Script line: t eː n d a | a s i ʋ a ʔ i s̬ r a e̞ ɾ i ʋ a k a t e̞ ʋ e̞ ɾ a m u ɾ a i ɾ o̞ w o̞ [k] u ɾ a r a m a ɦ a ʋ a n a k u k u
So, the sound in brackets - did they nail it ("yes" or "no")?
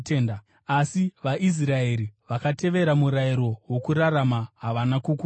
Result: yes